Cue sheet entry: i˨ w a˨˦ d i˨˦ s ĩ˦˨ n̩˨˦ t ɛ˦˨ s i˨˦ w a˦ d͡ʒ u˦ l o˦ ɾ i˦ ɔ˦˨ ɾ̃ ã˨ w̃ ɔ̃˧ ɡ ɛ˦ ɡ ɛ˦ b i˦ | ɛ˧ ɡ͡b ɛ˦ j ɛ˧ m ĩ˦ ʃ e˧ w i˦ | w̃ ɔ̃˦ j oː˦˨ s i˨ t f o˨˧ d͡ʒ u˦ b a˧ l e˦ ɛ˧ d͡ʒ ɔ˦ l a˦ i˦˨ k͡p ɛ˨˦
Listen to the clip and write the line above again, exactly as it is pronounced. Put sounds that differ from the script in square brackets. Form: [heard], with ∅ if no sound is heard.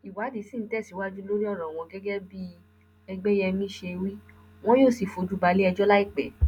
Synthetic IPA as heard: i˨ w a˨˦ d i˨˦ s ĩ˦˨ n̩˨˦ t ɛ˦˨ s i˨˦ w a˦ d͡ʒ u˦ l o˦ ɾ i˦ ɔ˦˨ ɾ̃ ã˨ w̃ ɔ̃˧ ɡ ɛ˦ ɡ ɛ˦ b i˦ | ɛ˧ ɡ͡b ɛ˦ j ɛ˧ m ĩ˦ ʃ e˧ w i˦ | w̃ ɔ̃˦ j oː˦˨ s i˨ [∅] f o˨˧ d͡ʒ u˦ b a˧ l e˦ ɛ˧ d͡ʒ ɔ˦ l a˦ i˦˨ k͡p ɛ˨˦